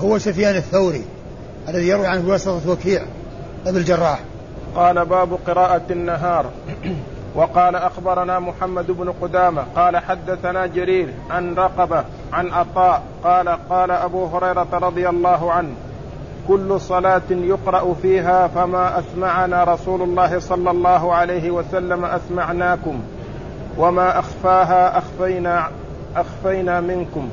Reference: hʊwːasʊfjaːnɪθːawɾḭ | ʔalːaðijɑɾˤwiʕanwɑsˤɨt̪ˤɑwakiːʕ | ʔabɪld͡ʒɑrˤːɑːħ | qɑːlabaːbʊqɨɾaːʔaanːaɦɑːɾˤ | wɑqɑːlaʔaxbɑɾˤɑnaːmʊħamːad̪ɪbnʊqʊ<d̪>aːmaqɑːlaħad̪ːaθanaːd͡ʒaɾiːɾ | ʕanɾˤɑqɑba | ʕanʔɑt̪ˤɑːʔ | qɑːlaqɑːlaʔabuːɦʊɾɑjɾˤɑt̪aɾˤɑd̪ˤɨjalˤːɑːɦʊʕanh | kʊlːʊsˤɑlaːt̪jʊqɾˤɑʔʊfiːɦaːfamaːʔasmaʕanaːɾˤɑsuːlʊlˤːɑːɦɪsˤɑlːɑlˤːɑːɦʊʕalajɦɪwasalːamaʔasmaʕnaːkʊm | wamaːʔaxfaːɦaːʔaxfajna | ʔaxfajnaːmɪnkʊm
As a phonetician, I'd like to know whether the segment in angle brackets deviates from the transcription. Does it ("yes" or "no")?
no